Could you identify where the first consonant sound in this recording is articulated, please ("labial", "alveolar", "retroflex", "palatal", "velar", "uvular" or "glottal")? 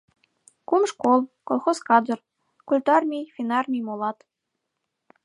velar